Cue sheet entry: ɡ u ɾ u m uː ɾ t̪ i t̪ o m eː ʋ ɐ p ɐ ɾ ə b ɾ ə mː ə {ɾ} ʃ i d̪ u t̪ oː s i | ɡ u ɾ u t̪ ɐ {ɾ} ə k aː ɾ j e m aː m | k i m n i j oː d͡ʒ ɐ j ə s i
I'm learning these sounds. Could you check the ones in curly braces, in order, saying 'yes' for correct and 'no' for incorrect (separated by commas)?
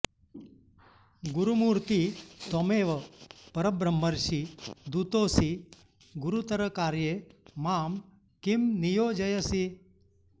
yes, yes